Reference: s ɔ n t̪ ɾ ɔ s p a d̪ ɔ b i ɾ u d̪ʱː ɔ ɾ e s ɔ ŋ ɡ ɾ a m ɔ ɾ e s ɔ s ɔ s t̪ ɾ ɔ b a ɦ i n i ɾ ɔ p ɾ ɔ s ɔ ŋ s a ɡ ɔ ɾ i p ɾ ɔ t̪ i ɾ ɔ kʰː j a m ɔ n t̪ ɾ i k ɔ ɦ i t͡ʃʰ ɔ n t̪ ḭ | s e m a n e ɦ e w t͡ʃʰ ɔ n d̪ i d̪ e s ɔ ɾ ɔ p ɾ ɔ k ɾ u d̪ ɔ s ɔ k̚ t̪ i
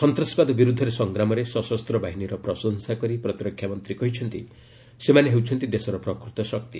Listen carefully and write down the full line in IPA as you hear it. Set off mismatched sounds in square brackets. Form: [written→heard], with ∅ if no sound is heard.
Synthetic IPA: s ɔ n t̪ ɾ ɔ s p a d̪ ɔ b i ɾ u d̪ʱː ɔ ɾ e s ɔ ŋ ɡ ɾ a m ɔ ɾ e s ɔ s ɔ s t̪ ɾ ɔ b a ɦ i n i ɾ ɔ p ɾ ɔ s ɔ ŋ s a [ɡ→k] ɔ ɾ i p ɾ ɔ t̪ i ɾ ɔ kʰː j a m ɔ n t̪ ɾ i k ɔ ɦ i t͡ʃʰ ɔ n t̪ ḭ | s e m a n e ɦ e w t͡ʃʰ ɔ n [d̪→t̪] i d̪ e s ɔ ɾ ɔ p ɾ ɔ k ɾ u [d̪→t̪] ɔ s ɔ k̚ t̪ i